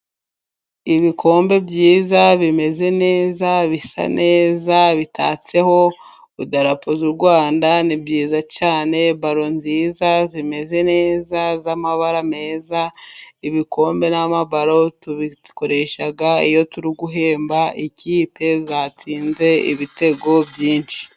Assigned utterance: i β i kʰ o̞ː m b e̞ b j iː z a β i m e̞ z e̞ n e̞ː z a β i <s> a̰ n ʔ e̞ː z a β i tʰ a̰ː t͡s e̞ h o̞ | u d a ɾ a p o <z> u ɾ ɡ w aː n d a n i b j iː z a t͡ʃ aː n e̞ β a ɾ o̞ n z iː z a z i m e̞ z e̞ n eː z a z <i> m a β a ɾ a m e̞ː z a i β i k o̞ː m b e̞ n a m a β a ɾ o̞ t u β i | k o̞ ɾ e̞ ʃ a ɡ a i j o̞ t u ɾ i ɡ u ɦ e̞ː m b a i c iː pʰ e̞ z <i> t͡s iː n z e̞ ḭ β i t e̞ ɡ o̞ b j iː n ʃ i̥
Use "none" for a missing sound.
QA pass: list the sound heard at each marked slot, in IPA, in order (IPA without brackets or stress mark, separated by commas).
s, z, a, a